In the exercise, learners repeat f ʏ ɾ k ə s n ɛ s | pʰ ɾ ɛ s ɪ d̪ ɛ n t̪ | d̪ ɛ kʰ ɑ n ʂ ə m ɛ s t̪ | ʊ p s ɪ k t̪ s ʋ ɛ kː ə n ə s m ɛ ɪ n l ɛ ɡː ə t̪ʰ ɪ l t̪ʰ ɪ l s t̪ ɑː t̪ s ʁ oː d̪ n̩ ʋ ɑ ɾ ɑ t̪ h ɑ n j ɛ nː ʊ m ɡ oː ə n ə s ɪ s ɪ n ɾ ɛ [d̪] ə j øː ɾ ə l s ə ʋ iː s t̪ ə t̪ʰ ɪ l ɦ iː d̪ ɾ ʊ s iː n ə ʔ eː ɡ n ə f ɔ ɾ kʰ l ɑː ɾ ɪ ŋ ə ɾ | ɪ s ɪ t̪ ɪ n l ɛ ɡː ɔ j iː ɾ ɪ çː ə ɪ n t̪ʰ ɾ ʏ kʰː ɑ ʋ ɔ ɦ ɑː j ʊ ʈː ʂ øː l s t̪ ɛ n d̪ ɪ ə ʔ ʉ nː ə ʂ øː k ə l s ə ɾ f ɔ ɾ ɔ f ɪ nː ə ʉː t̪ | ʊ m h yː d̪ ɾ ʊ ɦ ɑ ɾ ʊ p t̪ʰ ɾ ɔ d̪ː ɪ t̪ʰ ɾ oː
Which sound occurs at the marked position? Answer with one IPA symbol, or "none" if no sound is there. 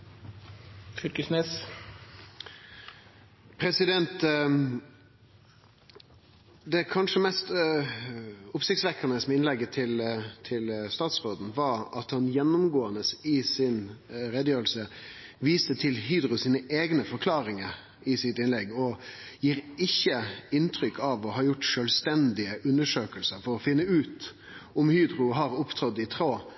d̪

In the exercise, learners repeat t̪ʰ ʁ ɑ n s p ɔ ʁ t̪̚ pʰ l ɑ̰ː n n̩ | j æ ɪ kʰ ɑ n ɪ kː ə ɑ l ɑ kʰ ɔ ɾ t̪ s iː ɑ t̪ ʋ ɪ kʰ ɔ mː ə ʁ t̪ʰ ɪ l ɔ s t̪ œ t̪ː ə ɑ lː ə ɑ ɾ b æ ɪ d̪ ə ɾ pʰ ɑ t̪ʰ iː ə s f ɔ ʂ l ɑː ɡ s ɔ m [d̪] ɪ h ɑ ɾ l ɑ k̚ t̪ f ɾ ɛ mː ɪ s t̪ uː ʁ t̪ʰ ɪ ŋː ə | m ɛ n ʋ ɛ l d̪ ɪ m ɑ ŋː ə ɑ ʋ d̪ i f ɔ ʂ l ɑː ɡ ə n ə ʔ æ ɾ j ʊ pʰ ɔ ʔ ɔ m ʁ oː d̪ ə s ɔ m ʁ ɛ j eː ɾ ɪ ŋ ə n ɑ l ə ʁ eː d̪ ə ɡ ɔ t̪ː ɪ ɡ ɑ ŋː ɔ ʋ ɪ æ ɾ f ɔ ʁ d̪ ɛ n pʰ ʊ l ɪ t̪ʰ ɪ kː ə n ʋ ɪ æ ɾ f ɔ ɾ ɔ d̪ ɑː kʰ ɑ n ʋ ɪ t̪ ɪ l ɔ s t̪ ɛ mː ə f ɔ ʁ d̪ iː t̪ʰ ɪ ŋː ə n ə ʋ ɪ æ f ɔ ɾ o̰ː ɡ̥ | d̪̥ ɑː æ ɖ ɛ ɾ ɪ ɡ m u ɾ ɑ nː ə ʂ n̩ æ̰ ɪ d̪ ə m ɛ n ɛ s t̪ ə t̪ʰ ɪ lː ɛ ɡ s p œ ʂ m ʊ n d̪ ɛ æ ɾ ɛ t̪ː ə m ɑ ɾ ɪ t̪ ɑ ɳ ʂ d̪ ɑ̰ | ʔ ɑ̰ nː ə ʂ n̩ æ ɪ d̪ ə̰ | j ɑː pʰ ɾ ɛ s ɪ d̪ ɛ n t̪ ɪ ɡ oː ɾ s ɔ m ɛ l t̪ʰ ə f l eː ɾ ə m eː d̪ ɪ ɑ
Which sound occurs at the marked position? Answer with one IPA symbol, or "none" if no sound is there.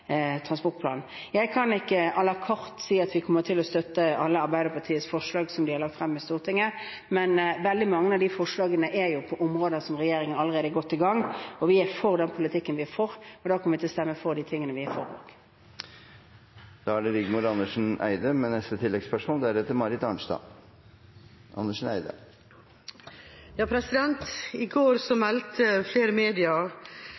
d̪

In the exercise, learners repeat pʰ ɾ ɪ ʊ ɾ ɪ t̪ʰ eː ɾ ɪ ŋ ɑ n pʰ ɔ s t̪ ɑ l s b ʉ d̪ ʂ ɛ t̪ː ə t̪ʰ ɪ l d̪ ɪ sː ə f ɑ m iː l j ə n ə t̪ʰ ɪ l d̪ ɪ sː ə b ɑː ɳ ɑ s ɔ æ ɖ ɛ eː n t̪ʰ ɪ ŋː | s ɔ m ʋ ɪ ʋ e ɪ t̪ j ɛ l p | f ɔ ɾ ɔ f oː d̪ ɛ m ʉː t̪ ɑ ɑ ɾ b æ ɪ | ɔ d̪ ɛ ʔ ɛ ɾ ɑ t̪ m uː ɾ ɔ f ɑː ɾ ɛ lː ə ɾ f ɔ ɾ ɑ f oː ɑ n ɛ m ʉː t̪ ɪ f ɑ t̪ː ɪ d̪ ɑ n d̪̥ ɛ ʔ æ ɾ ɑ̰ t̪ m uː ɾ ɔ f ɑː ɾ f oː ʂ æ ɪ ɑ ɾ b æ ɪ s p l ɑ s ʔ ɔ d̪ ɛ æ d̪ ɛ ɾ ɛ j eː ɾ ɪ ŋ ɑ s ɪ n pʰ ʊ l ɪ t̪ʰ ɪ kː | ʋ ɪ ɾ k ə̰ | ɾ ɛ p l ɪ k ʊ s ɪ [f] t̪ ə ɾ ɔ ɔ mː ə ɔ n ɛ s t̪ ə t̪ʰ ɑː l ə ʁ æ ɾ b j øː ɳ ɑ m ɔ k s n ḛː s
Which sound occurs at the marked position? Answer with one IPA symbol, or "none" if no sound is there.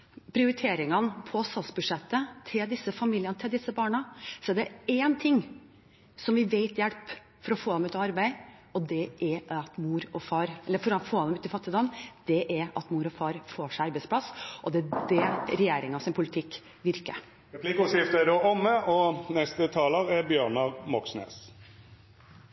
f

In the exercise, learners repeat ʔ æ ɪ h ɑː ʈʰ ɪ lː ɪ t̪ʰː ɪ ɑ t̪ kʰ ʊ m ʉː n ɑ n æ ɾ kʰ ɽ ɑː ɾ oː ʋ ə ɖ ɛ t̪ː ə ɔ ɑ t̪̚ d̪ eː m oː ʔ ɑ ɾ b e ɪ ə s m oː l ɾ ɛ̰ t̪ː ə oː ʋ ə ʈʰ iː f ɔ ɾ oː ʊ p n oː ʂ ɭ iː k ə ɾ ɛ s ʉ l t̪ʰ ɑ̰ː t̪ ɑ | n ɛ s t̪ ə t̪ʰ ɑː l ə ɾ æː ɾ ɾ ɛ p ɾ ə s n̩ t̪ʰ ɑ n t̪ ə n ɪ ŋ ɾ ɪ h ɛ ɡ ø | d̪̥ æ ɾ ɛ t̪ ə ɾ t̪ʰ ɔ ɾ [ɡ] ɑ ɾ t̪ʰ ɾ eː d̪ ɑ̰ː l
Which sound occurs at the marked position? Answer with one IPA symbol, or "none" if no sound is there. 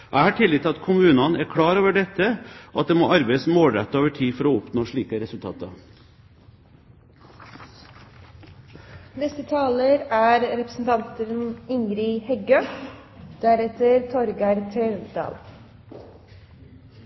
ɡ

